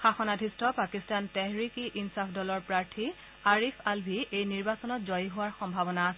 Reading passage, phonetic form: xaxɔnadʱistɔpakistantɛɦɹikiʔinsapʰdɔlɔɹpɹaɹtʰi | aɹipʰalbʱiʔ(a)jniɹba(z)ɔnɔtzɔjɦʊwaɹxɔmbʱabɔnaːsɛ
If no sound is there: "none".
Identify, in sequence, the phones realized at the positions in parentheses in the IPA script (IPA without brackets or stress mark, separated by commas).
e, s